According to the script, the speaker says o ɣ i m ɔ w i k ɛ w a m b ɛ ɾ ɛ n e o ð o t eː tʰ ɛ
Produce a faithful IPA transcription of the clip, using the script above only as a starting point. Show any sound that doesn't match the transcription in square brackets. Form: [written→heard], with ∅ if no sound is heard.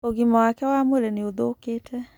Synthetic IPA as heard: o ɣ i m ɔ w [i→a] k ɛ w a m [b→w] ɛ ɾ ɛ n e o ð o [t→k] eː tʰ ɛ